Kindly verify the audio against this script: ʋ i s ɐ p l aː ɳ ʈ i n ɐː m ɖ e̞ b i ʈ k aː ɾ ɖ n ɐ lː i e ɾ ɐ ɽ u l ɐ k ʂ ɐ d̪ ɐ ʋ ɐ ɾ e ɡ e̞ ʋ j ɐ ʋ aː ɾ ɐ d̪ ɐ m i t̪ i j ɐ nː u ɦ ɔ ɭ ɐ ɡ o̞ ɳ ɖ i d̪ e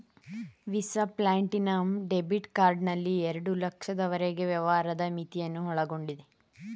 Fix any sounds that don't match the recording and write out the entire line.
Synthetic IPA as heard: ʋ i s ɐ p l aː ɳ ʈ i n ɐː m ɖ e̞ b i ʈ k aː ɾ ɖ n ɐ lː i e ɾ ɐ ɽ u l ɐ k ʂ ɐ d̪ ɐ ʋ ɐ ɾ e ɡ e̞ ʋ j ɐ ʋ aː ɾ ɐ d̪ ɐ m i t̪ i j ɐ nː u ɦ ɔ ɭ ɐ ɡ o̞ ɳ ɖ i d̪ e